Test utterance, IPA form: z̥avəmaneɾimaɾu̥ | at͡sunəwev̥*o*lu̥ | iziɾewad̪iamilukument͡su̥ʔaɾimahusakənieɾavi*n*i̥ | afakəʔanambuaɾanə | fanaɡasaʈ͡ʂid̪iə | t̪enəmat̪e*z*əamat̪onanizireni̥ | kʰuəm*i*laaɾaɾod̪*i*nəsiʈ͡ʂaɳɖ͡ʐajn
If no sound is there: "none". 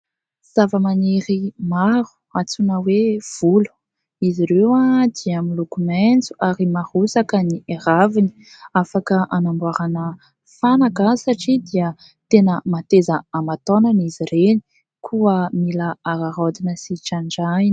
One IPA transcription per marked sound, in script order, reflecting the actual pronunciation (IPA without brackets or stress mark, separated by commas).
u, n, z, i, i